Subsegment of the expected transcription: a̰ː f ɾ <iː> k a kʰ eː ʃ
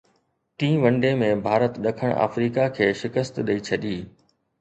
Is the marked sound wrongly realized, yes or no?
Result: no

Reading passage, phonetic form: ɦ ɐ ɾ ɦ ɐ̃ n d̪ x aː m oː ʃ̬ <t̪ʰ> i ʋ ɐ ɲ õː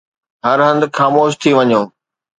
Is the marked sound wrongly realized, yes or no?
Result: no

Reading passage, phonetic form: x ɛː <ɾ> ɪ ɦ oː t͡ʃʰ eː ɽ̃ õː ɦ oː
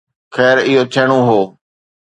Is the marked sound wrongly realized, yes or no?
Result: no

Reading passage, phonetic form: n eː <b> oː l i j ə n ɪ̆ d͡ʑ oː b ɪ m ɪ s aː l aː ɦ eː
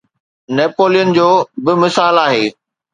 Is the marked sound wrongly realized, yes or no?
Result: yes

